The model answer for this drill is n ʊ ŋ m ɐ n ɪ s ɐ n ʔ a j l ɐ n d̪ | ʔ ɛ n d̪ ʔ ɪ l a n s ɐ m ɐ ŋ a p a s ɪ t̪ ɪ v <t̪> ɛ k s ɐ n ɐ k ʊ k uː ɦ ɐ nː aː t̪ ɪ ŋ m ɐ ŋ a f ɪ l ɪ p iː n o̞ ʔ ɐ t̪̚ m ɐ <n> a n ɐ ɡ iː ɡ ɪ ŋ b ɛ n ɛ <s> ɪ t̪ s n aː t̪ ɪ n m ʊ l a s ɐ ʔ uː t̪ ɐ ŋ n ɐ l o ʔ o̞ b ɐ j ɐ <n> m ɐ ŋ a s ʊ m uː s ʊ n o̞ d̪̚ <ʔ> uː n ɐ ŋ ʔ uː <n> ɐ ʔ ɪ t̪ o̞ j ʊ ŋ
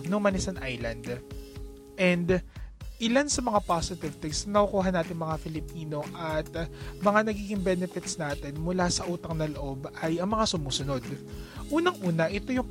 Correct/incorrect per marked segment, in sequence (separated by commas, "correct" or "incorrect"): correct, incorrect, incorrect, incorrect, correct, correct